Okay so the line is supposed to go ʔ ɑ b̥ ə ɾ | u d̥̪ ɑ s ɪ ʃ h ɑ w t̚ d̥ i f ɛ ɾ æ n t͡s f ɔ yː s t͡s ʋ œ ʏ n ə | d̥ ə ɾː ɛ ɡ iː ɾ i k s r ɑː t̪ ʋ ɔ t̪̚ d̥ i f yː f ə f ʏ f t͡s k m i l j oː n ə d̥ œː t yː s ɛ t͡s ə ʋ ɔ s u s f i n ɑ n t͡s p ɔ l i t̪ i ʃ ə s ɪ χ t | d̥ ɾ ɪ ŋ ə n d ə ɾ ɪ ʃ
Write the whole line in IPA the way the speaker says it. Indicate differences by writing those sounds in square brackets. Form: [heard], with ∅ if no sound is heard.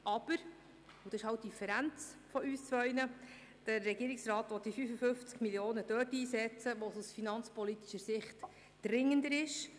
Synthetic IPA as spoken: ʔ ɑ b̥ ə ɾ | u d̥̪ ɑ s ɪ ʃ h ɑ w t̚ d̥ i f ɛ ɾ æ n t͡s f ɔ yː s t͡s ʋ œ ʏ n ə | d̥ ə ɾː ɛ ɡ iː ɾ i k s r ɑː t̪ ʋ ɔ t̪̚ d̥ i f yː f ə f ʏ f t͡s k m i l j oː n ə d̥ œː t [iː] s ɛ t͡s ə ʋ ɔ s u s f i n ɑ n t͡s p ɔ l i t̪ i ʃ ə s ɪ χ t | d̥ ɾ ɪ ŋ ə n d ə ɾ ɪ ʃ